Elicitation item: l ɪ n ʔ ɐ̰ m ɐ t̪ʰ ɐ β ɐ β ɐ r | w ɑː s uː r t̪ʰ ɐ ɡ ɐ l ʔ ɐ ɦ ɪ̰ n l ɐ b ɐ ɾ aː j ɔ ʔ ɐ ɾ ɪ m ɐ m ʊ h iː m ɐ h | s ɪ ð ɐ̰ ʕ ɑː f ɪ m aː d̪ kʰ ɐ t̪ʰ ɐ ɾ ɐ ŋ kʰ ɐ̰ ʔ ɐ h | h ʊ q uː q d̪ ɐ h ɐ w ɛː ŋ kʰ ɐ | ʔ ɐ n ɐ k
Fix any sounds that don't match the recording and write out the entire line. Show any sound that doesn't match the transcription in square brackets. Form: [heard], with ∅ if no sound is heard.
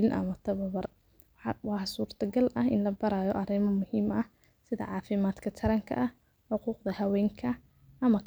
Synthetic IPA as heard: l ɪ n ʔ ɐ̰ m ɐ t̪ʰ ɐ β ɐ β ɐ r | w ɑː s uː r t̪ʰ ɐ ɡ ɐ l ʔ ɐ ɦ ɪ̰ n l ɐ b ɐ ɾ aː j ɔ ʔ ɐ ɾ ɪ m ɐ m ʊ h iː m ɐ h | s ɪ ð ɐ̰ ʕ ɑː f ɪ m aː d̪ kʰ ɐ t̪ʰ ɐ ɾ ɐ ŋ kʰ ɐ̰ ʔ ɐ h | [ħ] ʊ q uː q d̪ ɐ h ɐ w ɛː ŋ kʰ ɐ | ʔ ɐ [m] ɐ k